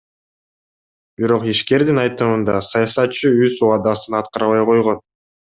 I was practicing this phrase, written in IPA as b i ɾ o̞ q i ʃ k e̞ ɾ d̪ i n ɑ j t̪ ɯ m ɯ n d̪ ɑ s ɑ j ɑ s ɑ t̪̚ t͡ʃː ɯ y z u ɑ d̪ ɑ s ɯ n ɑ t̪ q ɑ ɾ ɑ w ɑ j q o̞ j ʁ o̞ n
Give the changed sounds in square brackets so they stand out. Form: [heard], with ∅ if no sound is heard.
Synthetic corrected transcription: b i ɾ o̞ q i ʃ k e̞ ɾ d̪ i n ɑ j t̪ ɯ m ɯ n d̪ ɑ s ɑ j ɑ s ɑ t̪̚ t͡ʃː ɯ y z u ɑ d̪ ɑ s ɯ n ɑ t̪ q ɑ ɾ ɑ [β] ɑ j q o̞ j ʁ o̞ n

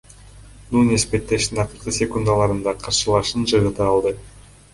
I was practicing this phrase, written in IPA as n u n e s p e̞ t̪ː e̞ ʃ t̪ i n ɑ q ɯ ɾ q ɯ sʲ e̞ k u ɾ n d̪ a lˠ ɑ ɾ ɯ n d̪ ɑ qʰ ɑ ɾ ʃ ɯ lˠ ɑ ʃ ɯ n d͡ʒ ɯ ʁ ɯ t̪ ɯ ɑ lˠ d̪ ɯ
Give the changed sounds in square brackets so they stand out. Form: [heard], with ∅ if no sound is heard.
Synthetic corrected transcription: n u n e s p e̞ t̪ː e̞ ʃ t̪ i n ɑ q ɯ ɾ q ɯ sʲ e̞ k u [∅] n d̪ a lˠ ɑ ɾ ɯ n d̪ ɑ qʰ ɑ ɾ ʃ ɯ lˠ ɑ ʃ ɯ n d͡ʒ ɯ ʁ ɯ t̪ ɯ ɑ lˠ d̪ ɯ

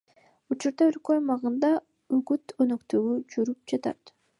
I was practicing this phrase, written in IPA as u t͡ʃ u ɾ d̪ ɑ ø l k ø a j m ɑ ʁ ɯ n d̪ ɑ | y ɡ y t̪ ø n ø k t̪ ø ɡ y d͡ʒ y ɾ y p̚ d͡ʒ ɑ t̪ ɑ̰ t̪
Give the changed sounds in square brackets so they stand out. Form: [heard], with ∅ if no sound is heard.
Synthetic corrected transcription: u t͡ʃ u ɾ d̪ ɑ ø l k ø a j m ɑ ʁ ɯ n d̪ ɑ | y ɡ y t̪ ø n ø k t̪ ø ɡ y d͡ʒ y ɾ y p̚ d͡ʒ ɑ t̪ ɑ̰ t̪

